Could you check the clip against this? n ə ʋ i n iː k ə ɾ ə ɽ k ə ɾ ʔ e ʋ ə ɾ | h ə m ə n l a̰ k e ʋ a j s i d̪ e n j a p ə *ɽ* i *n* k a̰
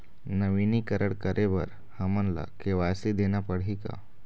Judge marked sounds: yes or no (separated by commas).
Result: yes, no